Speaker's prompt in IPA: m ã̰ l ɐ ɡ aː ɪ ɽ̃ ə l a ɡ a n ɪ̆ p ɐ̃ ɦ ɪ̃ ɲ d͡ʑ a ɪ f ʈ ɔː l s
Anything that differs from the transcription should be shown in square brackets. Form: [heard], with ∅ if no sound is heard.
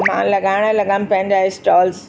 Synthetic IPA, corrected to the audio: m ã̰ l ɐ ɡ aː ɪ ɽ̃ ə l [ɐ] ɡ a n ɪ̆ p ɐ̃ ɦ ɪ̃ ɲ d͡ʑ a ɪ [s] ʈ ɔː l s